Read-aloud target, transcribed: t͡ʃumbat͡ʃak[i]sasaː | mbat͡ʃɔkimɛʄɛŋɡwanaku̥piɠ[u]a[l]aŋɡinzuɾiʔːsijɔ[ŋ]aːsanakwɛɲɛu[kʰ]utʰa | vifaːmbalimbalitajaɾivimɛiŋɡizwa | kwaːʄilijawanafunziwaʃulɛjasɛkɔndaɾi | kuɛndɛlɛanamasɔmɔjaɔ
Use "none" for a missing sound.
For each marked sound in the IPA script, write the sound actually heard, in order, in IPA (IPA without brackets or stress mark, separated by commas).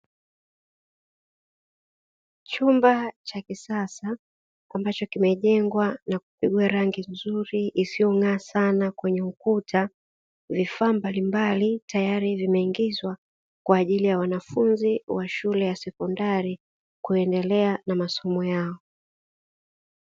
i, u, ɾ, ŋ, k